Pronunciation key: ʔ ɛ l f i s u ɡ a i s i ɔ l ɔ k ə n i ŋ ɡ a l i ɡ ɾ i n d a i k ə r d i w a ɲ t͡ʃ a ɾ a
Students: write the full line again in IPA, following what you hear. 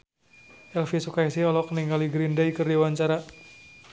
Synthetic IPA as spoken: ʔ ɛ l f i s u k a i s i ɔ l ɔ k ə n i ŋ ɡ a l i ɡ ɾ i n d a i k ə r d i w a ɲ t͡ʃ a ɾ a